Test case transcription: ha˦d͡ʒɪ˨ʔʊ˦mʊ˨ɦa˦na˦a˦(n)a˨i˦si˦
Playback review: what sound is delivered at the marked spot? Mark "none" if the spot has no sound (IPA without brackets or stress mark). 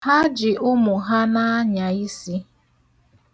ɲ